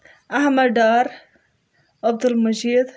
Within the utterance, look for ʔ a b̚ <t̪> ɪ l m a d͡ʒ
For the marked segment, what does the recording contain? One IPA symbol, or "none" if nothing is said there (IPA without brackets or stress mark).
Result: d̪